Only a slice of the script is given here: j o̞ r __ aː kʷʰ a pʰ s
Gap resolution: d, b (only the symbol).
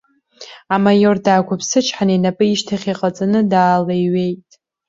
d